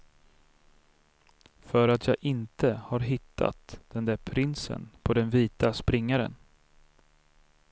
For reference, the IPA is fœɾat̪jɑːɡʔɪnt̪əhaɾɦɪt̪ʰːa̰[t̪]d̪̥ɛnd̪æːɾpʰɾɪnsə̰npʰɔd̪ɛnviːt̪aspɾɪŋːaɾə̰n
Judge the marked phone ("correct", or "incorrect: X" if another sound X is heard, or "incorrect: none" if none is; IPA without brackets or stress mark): correct